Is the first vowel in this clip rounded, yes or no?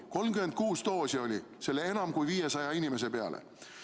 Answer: yes